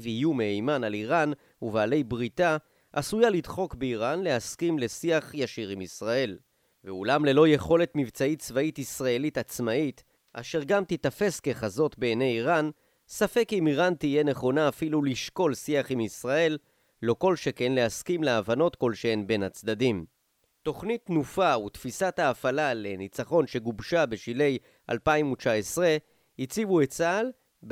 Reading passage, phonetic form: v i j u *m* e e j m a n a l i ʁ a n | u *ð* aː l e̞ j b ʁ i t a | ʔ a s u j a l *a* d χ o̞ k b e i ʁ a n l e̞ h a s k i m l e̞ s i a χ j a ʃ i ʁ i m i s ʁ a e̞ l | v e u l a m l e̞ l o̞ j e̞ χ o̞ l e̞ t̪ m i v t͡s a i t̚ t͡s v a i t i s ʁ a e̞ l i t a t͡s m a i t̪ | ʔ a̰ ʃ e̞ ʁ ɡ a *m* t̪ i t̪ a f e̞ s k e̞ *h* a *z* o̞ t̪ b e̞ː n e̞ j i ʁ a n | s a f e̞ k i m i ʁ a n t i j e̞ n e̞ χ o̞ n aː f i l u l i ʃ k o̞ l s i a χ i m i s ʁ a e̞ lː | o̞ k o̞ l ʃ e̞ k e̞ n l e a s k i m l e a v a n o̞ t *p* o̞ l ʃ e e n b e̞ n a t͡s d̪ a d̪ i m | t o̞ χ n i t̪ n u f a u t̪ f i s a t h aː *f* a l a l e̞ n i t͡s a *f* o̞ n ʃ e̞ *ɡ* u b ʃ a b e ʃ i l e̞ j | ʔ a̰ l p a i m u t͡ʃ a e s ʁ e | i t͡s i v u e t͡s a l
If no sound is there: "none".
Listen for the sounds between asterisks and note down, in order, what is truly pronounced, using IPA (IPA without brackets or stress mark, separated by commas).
m, v, i, m, χ, z, k, f, χ, ɡ